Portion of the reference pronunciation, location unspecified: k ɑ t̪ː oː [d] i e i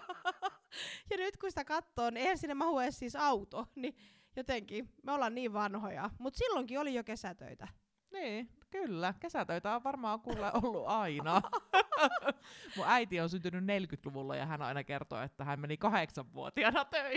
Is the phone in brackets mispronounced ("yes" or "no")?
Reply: yes